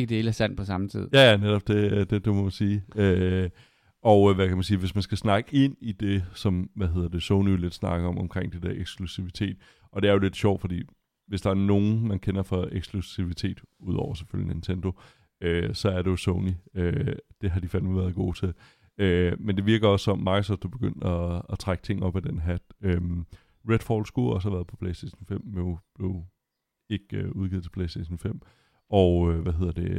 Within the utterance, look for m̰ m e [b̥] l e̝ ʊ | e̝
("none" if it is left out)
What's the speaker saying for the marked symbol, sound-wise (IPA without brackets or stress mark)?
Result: b̥